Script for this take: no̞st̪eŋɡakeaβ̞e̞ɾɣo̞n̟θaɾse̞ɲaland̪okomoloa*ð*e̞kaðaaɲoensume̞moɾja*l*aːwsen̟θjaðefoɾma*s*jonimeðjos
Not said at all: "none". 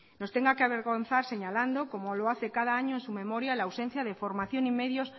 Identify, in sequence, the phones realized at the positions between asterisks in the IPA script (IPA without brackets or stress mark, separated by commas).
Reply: θ, l, θ